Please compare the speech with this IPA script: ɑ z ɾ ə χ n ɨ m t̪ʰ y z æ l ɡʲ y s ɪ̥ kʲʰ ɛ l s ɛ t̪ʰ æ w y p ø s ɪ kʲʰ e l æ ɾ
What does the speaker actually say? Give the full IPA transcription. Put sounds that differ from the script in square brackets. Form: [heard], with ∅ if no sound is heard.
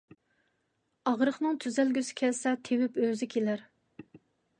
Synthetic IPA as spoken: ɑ [ʁ] ɾ ə χ n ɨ [ŋ] t̪ʰ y z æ l ɡʲ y s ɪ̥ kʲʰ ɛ l s ɛ t̪ʰ [e] w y p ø [z] ɪ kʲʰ e l æ ɾ